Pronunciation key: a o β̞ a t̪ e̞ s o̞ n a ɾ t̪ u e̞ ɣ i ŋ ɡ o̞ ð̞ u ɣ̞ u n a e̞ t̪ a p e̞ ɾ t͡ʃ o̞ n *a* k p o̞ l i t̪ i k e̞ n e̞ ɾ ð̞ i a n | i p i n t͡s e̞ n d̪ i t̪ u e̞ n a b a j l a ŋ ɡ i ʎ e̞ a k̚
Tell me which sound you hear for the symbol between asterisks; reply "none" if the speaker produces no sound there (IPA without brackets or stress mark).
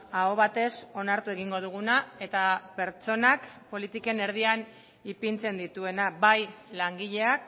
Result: a